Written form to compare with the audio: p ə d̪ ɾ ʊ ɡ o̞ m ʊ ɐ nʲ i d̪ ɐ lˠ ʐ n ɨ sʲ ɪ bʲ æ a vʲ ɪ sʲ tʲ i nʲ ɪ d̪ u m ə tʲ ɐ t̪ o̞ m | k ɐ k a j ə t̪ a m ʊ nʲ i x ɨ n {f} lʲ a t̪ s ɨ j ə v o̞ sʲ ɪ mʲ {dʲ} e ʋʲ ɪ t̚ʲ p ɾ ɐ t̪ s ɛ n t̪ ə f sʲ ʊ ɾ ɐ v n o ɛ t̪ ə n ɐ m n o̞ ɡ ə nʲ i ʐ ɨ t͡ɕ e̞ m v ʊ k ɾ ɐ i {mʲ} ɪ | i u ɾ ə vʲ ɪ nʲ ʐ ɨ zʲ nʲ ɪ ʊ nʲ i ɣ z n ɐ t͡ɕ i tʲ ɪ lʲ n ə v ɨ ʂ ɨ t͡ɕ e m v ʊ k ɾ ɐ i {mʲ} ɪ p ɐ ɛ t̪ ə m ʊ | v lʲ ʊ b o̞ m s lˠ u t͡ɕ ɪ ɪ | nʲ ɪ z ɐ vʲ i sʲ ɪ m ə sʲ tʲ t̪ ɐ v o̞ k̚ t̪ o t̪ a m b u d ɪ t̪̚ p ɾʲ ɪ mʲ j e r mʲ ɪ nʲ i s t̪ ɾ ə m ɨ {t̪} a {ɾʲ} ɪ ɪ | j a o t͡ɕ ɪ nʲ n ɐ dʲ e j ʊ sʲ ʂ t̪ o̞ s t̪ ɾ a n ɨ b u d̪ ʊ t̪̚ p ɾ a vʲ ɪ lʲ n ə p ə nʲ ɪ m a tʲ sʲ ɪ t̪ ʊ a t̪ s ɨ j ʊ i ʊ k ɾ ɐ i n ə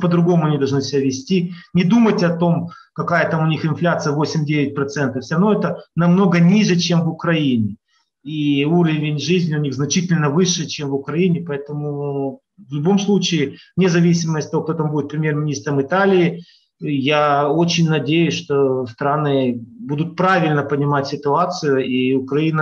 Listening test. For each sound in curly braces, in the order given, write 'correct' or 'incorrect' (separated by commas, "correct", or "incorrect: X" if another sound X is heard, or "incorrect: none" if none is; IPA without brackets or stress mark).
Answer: correct, correct, incorrect: nʲ, incorrect: nʲ, correct, incorrect: lʲ